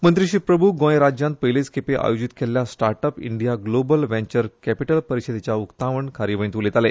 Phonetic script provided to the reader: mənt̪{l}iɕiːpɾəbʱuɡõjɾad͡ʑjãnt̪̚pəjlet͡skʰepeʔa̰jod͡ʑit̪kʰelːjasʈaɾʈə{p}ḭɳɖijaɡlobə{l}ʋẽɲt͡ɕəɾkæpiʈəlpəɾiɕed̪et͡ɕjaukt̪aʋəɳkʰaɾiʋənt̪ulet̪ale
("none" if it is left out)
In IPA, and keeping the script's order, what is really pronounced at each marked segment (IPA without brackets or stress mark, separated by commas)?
ɾ, p, l